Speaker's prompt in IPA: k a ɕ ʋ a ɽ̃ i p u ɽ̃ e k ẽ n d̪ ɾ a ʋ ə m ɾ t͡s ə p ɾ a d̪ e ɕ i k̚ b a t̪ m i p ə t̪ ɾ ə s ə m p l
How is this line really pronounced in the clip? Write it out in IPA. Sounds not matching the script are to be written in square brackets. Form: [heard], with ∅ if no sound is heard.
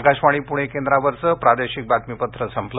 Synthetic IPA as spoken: k a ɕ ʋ a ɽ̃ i p u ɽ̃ e k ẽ n d̪ ɾ a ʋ ə [∅] ɾ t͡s ə p ɾ a d̪ e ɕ i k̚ b a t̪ m i p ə t̪ ɾ ə s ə m p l